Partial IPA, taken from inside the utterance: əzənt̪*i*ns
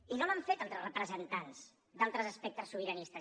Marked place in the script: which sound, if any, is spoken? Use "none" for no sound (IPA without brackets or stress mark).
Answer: a